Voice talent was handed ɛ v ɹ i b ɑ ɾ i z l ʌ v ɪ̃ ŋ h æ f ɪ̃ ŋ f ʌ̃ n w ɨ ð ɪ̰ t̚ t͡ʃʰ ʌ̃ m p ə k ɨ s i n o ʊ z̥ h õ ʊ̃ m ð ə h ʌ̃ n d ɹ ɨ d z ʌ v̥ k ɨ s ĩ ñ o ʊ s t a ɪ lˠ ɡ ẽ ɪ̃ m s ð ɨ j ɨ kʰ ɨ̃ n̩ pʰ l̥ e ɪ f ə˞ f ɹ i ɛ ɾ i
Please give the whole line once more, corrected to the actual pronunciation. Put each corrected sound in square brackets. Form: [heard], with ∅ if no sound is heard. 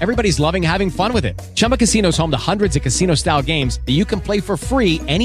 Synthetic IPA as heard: ɛ v ɹ i b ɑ ɾ i z l ʌ v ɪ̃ ŋ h æ [v] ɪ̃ ŋ f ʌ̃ n w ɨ ð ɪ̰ t̚ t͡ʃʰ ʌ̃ m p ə k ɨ s i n o ʊ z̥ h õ ʊ̃ m ð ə h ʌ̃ n d ɹ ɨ d z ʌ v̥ k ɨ s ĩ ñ o ʊ s t a ɪ lˠ ɡ ẽ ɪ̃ m [z] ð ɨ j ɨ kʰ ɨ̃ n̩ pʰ l̥ e ɪ f ə˞ f ɹ i ɛ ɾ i